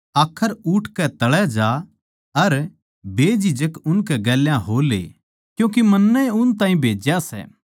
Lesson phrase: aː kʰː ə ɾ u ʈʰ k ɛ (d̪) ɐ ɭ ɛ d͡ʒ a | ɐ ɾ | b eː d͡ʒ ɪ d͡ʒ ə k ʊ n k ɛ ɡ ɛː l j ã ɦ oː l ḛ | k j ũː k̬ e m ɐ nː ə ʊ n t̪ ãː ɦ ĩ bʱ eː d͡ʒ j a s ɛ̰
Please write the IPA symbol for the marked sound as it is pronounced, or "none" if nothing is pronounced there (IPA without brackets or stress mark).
t̪